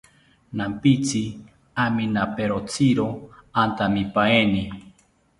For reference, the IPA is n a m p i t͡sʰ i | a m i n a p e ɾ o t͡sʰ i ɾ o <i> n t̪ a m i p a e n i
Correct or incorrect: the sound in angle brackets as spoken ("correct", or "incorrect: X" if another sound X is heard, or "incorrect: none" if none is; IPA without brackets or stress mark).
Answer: incorrect: a